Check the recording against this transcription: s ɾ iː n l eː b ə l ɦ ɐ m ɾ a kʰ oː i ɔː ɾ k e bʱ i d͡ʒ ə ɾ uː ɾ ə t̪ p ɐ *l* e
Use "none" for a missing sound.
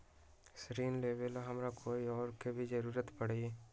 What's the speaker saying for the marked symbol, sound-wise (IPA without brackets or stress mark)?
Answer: ɽ